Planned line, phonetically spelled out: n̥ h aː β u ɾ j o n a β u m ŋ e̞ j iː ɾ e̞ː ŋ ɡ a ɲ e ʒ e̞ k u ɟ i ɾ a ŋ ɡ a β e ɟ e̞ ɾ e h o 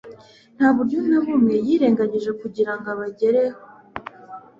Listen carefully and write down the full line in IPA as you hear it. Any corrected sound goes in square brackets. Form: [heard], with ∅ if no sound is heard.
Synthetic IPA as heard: n̥ h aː β u ɾ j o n a β u m ŋ e̞ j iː ɾ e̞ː ŋ ɡ a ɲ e ʒ e̞ k u ɟ i ɾ a ŋ ɡ a β [a] ɟ e̞ ɾ e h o